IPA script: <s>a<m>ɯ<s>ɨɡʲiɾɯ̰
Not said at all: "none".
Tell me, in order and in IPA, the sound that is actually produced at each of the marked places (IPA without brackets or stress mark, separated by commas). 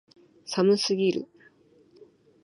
s, m, s